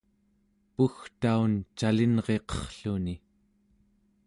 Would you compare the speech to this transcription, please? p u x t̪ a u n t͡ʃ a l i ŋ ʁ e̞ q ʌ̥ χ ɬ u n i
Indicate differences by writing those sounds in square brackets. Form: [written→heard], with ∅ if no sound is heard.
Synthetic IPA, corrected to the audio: p u x t̪ a u n t͡ʃ a l i [ŋ→n] ʁ e̞ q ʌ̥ χ ɬ u n i